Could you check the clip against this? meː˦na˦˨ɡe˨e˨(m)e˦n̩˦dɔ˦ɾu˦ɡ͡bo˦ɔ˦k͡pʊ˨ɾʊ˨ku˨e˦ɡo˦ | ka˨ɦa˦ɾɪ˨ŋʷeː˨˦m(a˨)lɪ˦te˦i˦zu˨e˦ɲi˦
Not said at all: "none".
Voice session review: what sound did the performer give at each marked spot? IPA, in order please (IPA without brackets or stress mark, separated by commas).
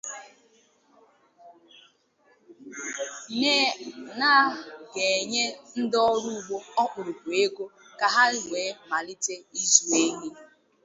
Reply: ɲ, a˨